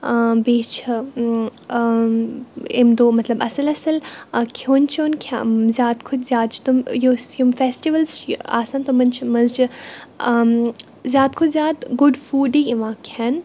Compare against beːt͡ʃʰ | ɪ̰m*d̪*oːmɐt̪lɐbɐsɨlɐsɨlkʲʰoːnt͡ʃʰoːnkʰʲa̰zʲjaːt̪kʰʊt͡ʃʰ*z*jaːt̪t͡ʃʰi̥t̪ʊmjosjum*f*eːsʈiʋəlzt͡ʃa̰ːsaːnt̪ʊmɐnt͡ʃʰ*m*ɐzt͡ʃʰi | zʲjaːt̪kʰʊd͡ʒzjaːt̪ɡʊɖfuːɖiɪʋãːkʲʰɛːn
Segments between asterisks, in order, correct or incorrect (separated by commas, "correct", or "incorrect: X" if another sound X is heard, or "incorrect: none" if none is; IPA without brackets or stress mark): correct, correct, correct, correct